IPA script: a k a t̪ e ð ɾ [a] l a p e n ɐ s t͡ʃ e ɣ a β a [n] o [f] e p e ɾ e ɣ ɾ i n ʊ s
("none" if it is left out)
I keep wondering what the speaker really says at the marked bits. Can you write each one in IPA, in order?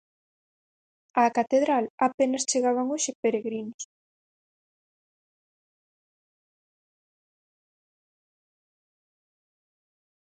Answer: a, ŋ, ʃ

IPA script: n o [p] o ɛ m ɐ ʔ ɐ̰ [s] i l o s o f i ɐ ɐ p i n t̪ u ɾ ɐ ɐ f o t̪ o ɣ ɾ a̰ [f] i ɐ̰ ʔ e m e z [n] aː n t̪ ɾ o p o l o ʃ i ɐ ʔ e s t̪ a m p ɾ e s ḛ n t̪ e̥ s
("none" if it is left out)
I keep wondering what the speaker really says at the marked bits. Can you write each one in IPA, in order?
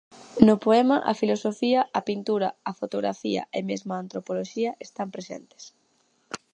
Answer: p, f, f, m

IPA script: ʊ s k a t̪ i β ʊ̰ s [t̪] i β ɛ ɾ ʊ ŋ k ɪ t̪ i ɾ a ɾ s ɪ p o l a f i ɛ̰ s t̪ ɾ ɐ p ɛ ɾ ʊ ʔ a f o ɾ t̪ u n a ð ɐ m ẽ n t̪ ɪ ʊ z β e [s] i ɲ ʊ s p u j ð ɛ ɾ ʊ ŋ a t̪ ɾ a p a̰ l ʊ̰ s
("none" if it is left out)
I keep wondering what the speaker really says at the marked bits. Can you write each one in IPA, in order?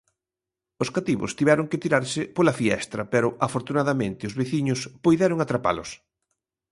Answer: t̪, θ

